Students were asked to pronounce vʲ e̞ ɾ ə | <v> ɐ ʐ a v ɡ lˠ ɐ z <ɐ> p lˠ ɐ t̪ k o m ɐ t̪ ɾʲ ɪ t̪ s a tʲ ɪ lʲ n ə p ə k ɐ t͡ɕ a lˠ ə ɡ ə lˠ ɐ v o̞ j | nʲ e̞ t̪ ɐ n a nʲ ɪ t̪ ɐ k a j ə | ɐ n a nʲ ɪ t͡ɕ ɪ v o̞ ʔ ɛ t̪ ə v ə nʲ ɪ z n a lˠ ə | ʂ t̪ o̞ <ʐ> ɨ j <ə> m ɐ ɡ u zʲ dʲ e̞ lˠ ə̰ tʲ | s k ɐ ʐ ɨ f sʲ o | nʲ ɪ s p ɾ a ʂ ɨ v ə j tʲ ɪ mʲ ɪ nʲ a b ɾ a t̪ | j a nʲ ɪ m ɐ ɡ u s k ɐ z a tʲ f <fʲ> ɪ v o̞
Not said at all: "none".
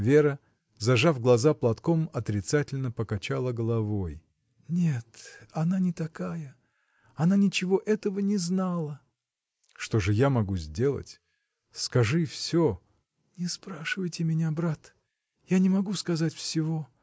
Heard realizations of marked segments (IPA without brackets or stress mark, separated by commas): z, a, ʐ, a, sʲ